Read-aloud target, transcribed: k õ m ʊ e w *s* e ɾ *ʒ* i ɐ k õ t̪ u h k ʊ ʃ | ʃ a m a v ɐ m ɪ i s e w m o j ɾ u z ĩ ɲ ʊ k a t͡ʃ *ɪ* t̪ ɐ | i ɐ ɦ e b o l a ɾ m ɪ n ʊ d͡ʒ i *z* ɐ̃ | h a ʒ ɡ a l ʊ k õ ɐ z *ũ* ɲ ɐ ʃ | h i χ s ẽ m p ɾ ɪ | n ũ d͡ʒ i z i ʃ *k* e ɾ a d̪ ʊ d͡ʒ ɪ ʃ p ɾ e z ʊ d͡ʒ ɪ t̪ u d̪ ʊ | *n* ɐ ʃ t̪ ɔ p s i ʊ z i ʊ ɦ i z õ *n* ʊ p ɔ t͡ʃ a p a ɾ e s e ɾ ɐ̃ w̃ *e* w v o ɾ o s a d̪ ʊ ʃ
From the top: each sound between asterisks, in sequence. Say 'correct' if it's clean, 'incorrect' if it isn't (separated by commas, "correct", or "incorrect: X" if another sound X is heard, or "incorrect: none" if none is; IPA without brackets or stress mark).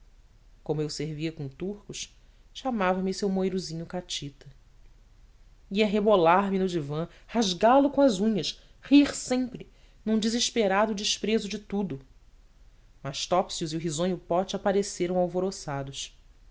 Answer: correct, incorrect: v, incorrect: i, incorrect: v, correct, incorrect: p, incorrect: m, incorrect: ɲ, incorrect: a